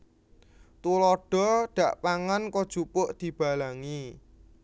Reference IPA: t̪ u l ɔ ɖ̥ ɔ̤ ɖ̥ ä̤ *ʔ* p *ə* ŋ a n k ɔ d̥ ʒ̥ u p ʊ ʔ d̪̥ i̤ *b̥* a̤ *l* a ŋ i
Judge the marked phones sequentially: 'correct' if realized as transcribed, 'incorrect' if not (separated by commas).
correct, incorrect, correct, correct